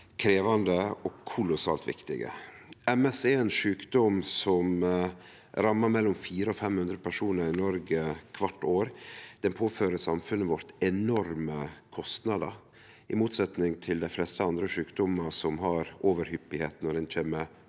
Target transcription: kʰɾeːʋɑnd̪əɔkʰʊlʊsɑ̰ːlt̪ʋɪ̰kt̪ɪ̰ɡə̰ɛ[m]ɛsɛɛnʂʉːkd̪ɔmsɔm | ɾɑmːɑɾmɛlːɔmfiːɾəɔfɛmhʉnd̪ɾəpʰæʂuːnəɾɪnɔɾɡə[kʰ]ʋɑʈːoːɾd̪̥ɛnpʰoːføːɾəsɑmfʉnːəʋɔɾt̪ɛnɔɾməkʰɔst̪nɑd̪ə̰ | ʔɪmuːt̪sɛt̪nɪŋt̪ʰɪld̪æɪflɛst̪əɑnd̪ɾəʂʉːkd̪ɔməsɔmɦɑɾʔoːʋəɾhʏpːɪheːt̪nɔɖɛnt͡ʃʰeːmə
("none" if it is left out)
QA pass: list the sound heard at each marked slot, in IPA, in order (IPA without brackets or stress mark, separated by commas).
m, kʰ